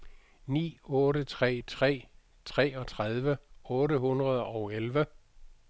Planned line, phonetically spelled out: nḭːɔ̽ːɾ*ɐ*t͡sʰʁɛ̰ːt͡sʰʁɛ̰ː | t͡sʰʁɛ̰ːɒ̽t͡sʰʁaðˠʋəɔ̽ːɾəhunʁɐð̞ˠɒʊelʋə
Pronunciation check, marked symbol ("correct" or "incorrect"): incorrect